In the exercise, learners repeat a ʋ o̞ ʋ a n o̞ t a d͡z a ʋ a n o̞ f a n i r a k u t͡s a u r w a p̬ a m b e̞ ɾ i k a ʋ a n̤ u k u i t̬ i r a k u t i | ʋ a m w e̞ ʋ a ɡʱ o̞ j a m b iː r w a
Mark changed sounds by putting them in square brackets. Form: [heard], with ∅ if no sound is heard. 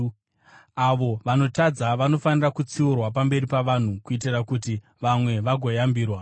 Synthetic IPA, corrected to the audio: a ʋ o̞ ʋ a n o̞ t a d͡z a ʋ a n o̞ f a n i r a k u t͡s [i] u r w a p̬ a m b e̞ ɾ i [p] a ʋ a n̤ u k u i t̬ i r a k u t i | ʋ a m w e̞ ʋ a ɡʱ o̞ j a m b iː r w a